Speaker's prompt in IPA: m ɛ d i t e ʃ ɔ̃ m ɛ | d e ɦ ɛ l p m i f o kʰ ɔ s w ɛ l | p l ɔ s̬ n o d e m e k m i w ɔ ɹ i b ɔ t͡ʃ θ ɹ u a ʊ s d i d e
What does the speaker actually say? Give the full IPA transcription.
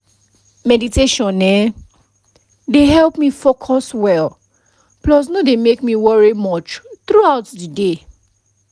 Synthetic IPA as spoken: m ɛ d i t e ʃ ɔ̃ n ɛ | d e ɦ ɛ l p m i f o kʰ ɔ s w ɛ l | p l ɔ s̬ n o d e m e k m i w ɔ ɹ i m ɔ t͡ʃ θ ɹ u a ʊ t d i d e